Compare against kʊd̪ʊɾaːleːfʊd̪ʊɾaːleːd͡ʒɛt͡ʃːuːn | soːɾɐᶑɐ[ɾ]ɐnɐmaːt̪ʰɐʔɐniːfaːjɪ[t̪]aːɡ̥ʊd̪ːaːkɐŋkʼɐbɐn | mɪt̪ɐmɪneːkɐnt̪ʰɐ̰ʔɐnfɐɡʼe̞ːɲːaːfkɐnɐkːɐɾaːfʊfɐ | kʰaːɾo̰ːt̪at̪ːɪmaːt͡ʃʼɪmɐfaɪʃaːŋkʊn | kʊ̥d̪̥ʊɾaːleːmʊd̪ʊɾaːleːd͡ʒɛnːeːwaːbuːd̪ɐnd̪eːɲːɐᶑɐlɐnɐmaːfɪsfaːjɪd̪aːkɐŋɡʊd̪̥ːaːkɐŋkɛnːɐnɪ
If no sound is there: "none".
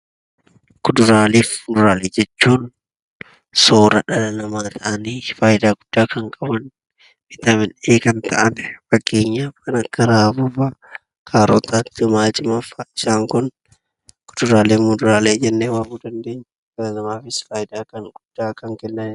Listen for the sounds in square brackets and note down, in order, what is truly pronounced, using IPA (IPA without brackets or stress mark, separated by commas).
l, d̪